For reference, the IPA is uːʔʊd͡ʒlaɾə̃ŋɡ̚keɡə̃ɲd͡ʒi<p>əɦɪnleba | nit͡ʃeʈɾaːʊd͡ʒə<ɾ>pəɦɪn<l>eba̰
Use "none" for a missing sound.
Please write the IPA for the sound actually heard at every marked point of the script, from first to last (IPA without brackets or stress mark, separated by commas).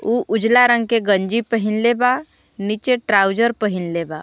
p, ɾ, l